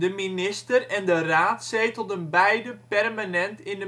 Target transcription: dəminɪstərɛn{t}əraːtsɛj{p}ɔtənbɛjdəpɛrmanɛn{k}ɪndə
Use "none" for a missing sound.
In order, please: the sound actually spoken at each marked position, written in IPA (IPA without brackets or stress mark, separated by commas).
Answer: d, t, t